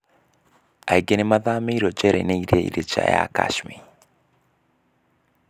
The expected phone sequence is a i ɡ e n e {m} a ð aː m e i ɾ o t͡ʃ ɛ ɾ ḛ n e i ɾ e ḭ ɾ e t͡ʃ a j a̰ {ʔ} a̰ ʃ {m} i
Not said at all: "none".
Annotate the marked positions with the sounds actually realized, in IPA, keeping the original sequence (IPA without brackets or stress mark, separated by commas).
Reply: m, k, m